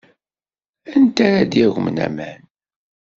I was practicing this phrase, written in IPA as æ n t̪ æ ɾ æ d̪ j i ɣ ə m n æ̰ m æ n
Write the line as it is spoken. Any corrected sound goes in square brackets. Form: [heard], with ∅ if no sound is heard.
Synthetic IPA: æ n t̪ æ ɾ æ d̪ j [æ] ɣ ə m n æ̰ m æ n